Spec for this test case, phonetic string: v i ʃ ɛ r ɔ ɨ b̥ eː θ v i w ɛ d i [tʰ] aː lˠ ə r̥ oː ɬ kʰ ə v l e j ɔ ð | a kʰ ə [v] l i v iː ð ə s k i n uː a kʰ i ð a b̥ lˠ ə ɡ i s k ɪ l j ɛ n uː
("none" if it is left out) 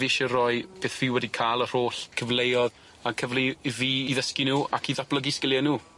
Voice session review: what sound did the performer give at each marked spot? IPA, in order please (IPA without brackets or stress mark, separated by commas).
kʰ, v